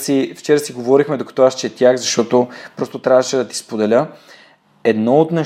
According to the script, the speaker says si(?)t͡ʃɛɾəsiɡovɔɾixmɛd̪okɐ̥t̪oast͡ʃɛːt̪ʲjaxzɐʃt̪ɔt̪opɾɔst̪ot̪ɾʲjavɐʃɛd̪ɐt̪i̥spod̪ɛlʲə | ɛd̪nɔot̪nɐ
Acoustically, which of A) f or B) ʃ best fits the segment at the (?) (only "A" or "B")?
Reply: A